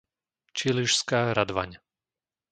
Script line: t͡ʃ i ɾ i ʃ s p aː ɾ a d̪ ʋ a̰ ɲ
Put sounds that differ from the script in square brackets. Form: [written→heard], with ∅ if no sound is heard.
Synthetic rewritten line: t͡ʃ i [ɾ→l] i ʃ s [p→k] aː ɾ a d̪ ʋ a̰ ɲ